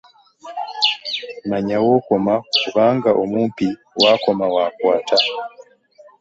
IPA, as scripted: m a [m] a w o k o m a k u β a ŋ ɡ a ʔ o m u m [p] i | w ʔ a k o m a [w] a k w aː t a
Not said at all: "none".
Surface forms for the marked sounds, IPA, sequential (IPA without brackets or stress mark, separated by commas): ɲ, p, w